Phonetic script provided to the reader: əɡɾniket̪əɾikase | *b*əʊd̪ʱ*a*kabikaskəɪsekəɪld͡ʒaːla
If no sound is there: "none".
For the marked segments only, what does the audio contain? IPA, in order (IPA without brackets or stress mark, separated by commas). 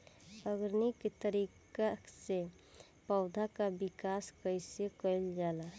p, a